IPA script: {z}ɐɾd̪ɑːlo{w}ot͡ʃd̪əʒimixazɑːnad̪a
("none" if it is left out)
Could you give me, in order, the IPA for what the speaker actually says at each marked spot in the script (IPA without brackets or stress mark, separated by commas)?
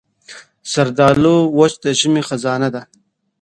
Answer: s, w